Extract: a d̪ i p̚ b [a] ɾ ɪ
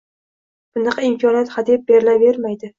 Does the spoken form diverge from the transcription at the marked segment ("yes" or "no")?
yes